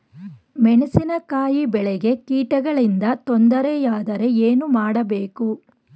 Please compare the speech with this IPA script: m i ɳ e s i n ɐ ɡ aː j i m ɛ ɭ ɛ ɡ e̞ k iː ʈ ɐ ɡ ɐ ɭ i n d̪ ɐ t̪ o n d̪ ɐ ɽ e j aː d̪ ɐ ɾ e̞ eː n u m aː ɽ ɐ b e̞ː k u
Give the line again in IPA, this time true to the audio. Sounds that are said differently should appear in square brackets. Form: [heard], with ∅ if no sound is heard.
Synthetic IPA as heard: m [ɛ] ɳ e s i n ɐ [k] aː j i [b] ɛ ɭ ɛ ɡ e̞ k iː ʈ ɐ ɡ ɐ ɭ i n d̪ ɐ t̪ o n d̪ ɐ [ɾ] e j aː d̪ ɐ ɾ e̞ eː n u m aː ɽ ɐ b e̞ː k u